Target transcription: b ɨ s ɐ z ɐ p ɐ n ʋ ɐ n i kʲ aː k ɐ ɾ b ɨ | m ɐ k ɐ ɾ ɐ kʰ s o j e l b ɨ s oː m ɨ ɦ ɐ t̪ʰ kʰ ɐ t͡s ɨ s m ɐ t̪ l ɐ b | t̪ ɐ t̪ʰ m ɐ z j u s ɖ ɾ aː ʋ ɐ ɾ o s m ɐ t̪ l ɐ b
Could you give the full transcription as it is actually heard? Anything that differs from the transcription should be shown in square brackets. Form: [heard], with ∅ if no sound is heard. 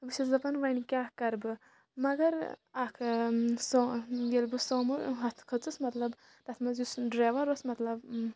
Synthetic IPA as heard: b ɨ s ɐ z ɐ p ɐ n ʋ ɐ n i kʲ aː k ɐ ɾ b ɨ | m ɐ [ɡ] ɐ ɾ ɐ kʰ s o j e l b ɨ s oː m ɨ ɦ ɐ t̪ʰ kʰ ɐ t͡s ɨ s m ɐ t̪ l ɐ b | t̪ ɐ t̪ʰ m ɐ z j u s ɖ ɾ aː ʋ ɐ ɾ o s m ɐ t̪ l ɐ b